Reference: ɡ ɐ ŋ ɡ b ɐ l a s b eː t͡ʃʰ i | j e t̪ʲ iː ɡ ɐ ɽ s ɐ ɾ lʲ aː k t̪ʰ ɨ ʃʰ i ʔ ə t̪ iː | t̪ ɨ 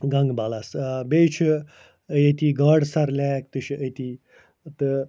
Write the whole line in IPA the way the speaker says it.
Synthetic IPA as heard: ɡ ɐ ŋ ɡ b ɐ l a s b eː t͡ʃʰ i | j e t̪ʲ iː ɡ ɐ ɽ s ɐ ɾ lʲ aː k t̪ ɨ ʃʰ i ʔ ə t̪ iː | t̪ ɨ